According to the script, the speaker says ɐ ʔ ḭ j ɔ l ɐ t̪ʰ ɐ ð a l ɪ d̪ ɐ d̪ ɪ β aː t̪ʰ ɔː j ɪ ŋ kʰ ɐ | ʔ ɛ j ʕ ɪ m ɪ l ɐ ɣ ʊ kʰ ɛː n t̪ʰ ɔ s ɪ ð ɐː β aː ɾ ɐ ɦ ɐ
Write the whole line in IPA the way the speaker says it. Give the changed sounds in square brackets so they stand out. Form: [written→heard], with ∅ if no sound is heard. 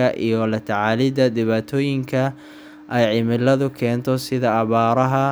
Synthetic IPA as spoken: ɐ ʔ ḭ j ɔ l ɐ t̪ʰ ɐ [ð→ʕ] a l ɪ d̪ ɐ d̪ ɪ β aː t̪ʰ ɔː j ɪ ŋ kʰ ɐ | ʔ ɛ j ʕ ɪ m ɪ l ɐ [ɣ→ð] ʊ kʰ ɛː n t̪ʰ ɔ s ɪ ð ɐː β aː ɾ ɐ ɦ ɐ